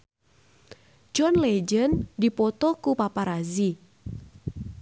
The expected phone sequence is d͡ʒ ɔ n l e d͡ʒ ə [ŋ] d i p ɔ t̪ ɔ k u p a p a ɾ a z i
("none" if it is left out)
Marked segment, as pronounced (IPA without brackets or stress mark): n